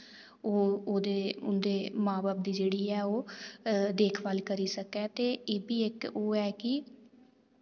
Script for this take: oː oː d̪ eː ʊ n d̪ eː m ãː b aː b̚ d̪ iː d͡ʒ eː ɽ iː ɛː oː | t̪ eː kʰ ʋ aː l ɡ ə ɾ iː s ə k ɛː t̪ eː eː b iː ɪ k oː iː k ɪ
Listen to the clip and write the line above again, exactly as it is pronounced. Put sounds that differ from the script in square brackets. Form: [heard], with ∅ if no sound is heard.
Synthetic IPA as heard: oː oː d̪ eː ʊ n d̪ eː m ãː b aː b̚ d̪ iː d͡ʒ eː ɽ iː ɛː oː | [d̪] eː kʰ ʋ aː l [k] ə ɾ iː s ə k ɛː t̪ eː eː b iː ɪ k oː [ɛː] k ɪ